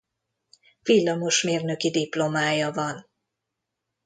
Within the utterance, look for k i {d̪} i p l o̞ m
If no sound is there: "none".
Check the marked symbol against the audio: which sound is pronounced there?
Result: d̪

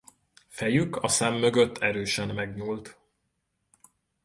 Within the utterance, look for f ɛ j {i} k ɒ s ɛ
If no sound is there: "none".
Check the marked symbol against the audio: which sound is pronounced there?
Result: y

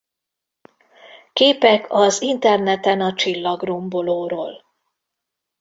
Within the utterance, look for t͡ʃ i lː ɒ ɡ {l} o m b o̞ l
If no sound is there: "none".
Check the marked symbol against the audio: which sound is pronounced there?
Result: r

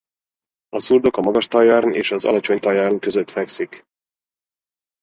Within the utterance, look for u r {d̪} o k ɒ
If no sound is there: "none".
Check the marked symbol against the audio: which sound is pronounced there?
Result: d̪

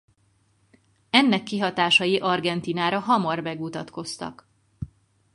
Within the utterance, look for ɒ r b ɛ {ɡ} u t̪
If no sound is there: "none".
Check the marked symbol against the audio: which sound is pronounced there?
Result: ɡ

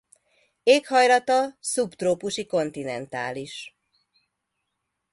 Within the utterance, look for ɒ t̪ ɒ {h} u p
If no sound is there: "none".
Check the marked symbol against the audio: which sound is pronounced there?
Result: s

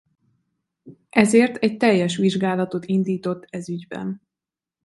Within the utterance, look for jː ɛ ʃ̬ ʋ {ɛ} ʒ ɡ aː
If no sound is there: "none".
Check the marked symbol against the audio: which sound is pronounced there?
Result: i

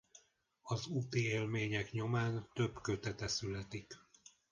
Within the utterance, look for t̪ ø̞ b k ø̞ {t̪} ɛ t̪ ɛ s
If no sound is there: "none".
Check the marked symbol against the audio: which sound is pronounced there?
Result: t̪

